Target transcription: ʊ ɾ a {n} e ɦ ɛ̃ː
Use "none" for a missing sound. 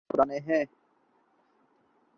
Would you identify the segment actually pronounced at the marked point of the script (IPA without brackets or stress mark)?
n